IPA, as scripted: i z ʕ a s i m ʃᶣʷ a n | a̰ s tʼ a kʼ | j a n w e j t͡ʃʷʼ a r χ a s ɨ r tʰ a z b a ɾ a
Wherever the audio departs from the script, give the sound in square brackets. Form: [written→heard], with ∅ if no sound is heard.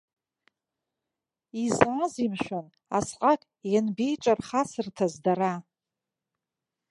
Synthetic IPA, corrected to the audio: i z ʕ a [s→z] i m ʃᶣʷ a n | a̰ s [tʼ→qʼ] a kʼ | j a n [w→b] e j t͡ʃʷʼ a r χ a s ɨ r tʰ a z [b→d] a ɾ a